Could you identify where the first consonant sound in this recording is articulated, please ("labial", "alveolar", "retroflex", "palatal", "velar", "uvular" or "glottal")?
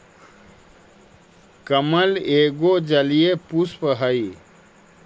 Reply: velar